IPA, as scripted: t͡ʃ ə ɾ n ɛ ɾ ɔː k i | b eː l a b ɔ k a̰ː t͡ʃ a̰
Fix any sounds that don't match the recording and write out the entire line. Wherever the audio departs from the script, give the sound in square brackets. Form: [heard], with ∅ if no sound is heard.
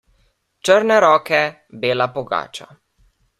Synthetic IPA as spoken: t͡ʃ ə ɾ n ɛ ɾ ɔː k [ɛ] | b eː l a [p] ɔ [ɡ] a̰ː t͡ʃ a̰